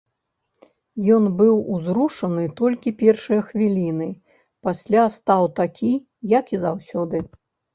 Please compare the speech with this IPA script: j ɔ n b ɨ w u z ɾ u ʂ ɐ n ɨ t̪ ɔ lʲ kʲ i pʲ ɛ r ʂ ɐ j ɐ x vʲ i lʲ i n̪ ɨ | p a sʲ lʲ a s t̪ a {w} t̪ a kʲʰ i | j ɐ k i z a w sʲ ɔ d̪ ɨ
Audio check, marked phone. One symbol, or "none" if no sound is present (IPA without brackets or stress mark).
w